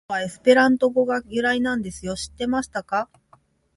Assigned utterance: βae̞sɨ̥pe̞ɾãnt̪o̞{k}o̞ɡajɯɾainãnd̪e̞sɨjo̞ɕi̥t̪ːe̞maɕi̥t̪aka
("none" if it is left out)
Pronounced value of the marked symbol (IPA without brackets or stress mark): ɡ